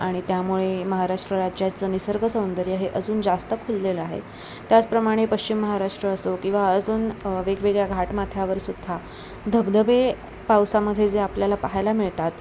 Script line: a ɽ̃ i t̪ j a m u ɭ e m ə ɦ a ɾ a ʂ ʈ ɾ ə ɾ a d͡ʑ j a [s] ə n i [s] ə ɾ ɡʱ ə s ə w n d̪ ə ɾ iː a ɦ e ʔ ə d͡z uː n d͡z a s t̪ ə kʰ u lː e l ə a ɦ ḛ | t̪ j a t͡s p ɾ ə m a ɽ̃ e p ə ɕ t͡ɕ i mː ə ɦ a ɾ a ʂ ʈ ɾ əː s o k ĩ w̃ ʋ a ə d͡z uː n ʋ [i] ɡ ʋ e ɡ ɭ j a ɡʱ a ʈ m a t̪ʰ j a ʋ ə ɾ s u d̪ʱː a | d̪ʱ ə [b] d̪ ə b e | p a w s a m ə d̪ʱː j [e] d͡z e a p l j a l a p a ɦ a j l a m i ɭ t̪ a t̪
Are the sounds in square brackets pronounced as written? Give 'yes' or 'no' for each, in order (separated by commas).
no, yes, no, yes, yes